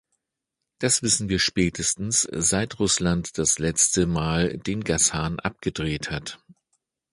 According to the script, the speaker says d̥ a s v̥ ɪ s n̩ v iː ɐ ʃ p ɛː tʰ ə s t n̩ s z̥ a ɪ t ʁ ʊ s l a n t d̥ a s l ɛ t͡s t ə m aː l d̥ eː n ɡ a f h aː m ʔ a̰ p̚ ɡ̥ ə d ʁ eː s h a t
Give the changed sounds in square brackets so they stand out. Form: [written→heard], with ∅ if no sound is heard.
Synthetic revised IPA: d̥ a s v̥ ɪ s n̩ v iː ɐ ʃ p ɛː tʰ ə s t n̩ s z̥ a ɪ t ʁ ʊ s l a n t d̥ a s l ɛ t͡s t ə m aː l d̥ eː n ɡ a [f→s] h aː [m→n] ʔ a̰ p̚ ɡ̥ ə d ʁ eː [s→t] h a t